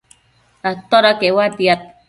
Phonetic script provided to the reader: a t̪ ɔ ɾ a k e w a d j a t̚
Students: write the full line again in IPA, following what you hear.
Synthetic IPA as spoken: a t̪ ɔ ɾ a k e w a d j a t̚